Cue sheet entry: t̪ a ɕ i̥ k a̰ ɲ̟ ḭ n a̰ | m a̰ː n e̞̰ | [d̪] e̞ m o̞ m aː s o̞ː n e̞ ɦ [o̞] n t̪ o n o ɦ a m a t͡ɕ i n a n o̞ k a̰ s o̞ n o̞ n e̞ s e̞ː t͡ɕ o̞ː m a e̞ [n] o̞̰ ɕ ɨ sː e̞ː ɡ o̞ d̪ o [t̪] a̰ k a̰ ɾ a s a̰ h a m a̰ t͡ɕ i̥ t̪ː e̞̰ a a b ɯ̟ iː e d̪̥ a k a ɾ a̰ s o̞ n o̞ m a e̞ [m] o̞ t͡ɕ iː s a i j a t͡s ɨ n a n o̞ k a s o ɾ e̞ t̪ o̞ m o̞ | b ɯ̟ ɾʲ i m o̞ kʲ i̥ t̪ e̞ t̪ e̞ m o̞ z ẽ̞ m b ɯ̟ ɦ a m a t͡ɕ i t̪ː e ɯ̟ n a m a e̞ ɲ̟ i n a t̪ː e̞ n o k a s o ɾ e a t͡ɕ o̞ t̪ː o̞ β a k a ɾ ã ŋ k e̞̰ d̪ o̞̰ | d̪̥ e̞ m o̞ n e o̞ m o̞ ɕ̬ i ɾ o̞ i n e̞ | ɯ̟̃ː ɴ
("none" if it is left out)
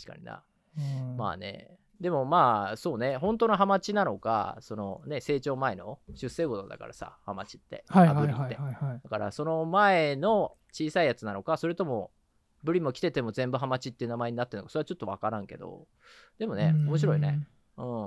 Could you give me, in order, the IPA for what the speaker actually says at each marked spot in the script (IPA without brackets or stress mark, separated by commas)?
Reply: d̪, õ̞, n, d̪, n